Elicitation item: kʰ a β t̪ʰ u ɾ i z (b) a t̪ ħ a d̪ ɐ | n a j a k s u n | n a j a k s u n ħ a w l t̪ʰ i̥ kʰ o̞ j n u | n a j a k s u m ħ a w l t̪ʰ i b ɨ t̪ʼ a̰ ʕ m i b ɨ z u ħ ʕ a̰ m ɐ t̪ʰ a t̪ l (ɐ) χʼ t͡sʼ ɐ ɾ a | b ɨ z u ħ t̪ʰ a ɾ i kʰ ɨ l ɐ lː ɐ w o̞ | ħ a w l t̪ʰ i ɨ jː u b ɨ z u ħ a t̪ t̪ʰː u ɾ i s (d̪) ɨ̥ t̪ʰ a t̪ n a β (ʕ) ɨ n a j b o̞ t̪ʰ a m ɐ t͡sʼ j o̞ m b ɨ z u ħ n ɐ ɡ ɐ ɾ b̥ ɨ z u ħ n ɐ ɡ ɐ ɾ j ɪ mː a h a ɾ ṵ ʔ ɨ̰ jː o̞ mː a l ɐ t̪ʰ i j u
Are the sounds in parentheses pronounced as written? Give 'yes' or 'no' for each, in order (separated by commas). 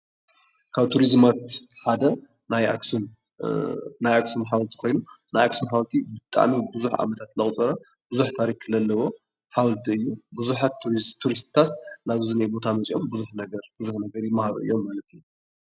no, yes, no, no